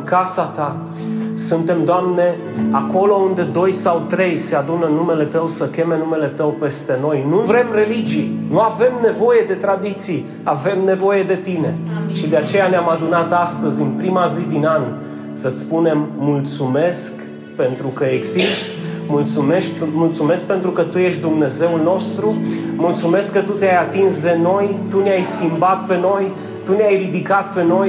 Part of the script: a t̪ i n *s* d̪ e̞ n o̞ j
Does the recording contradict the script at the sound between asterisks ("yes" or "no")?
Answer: no